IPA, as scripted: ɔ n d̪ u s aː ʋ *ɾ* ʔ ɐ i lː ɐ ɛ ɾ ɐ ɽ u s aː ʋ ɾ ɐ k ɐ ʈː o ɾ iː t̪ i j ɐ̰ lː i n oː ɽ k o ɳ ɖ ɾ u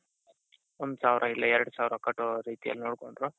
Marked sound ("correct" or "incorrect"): correct